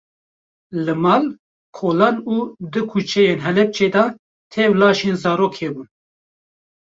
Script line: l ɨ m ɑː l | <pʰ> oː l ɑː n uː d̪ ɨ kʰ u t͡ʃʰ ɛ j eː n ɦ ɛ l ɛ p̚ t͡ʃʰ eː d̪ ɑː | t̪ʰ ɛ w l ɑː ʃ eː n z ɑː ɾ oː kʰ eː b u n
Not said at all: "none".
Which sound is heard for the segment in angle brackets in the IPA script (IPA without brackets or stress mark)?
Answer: kʰ